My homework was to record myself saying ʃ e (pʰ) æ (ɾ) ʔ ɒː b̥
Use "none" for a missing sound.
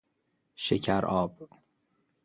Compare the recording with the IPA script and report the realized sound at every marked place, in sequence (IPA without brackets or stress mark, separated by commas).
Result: cʰ, ɾ